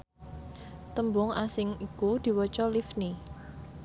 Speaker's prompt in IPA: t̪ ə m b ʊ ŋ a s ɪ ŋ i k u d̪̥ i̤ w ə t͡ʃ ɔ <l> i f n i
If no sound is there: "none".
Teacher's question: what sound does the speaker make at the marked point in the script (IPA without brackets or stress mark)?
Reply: l